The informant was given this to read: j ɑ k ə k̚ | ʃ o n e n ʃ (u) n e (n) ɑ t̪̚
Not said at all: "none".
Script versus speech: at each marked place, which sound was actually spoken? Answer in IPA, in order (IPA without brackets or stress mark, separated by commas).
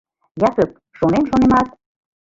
o, m